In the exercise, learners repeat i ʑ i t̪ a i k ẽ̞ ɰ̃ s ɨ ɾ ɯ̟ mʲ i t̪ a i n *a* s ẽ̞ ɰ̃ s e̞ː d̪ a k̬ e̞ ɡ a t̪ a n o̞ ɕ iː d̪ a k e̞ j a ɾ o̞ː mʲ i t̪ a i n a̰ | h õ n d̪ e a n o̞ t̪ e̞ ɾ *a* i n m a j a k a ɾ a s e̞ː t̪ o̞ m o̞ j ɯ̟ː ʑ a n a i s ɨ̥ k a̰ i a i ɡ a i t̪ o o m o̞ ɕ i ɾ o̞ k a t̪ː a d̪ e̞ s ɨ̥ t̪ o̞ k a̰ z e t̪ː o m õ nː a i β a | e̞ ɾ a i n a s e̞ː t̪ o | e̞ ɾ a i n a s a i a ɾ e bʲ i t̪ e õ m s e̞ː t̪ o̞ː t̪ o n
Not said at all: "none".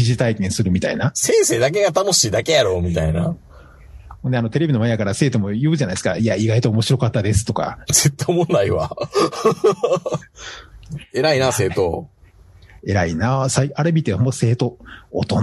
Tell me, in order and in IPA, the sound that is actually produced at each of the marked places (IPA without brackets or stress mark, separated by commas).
a, e